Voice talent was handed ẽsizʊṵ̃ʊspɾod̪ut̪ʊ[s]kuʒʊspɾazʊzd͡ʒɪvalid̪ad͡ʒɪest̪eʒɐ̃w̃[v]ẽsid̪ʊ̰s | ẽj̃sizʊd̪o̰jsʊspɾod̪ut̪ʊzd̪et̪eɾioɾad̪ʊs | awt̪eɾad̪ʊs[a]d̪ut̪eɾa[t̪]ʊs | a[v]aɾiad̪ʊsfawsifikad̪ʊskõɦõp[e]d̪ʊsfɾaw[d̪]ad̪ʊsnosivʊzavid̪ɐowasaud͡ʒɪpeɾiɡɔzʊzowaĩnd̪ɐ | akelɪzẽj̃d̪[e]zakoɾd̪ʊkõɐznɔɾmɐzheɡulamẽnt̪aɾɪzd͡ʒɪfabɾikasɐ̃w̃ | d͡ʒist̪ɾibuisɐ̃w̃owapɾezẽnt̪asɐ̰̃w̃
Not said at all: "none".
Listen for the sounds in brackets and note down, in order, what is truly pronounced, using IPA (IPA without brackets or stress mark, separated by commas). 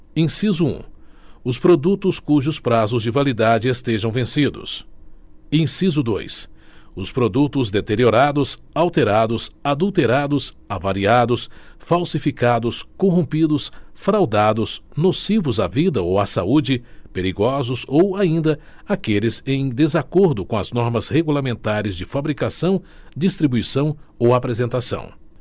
s, v, a, d̪, v, i, d̪, e